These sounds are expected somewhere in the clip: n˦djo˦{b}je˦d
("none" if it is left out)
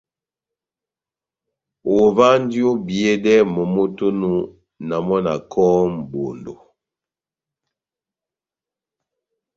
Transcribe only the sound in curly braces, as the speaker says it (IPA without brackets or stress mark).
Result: b